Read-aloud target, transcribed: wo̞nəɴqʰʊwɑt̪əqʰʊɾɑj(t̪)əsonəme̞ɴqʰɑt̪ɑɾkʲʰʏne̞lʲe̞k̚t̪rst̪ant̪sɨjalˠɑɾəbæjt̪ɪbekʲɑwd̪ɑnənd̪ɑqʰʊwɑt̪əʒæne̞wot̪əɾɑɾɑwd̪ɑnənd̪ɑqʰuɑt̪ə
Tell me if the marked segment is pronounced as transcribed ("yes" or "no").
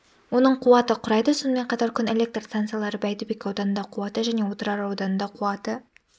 no